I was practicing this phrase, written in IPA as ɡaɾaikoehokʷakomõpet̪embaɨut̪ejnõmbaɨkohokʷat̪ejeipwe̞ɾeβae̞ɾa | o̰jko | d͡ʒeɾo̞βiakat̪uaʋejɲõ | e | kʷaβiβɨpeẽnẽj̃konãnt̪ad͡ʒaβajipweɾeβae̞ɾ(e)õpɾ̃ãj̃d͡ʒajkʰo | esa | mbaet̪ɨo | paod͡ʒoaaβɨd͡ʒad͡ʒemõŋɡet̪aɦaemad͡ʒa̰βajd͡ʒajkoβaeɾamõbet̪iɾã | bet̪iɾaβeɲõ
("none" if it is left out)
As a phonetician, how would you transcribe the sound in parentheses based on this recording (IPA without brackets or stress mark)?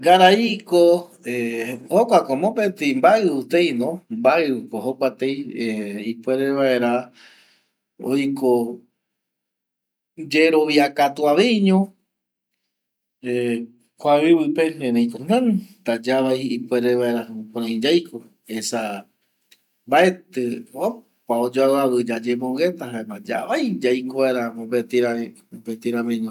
a